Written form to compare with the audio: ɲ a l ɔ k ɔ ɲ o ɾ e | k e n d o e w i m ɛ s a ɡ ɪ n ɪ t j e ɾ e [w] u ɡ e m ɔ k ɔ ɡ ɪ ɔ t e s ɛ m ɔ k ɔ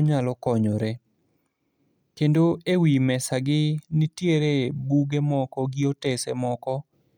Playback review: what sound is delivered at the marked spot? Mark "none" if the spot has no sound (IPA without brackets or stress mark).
b